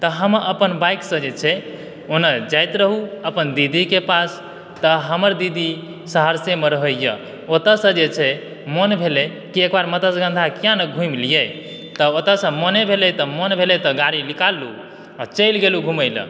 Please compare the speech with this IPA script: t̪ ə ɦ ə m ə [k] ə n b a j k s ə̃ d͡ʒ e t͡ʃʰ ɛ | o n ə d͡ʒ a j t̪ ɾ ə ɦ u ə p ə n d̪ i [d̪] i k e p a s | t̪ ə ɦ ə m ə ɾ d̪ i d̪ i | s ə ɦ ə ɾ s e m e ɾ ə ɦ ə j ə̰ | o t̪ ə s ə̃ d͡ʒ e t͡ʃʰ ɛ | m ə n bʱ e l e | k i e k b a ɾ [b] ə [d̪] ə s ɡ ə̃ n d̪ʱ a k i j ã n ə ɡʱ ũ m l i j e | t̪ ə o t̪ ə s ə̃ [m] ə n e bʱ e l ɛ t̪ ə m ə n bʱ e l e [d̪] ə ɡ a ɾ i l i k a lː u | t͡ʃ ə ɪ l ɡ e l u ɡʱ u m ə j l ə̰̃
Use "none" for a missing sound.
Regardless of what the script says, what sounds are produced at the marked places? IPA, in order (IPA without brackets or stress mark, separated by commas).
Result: p, d̪, m, t̪, m, t̪